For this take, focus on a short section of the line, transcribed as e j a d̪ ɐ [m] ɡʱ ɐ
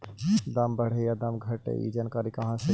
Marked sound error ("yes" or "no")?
no